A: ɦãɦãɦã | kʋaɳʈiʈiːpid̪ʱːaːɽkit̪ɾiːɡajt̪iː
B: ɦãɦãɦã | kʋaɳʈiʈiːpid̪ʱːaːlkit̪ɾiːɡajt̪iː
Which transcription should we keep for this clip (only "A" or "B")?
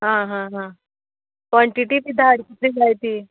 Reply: A